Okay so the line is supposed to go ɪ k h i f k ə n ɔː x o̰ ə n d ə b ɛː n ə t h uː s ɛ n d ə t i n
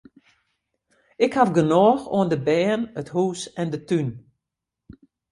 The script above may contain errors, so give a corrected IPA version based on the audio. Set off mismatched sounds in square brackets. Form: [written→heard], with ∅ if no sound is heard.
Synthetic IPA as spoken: ɪ k h [i→a] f [k→ɡ] ə n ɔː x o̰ ə n d ə b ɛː n ə t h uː s ɛ n d ə t [i→y] n